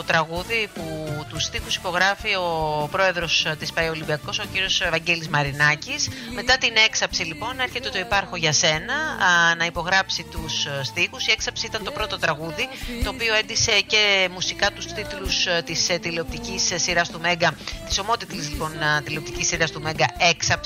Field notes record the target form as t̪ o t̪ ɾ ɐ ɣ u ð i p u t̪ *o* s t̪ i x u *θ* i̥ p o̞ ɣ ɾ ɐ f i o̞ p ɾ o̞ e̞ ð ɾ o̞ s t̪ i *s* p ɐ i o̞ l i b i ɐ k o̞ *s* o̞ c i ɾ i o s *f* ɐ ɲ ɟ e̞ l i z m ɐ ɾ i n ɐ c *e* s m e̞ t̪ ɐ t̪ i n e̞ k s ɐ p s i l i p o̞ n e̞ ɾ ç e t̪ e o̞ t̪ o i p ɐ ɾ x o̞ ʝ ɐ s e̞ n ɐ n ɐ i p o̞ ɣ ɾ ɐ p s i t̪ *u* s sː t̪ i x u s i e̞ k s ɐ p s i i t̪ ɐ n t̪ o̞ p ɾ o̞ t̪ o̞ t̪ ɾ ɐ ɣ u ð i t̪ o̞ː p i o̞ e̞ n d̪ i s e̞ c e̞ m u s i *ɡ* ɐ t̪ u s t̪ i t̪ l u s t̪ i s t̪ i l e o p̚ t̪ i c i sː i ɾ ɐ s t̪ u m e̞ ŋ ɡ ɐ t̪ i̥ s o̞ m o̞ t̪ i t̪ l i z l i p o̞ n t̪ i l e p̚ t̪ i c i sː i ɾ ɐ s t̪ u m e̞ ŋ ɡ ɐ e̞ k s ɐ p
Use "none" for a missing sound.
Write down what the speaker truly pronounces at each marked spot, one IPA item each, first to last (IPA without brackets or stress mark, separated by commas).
u, s, s, s, v, i, u, k